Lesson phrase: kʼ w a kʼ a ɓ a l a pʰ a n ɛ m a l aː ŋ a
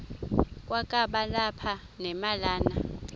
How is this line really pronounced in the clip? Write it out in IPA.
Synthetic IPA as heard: kʼ w a kʼ a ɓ a l a pʰ a n ɛ m a l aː n a